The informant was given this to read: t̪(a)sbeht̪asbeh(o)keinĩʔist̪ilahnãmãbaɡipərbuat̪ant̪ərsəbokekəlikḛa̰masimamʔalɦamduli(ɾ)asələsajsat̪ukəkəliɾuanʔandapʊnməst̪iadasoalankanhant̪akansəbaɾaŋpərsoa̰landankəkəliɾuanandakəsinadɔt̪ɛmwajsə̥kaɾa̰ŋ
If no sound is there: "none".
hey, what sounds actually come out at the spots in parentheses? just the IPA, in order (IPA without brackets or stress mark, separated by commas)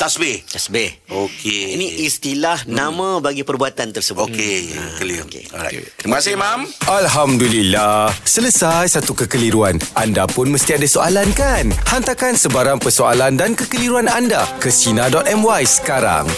a, o, l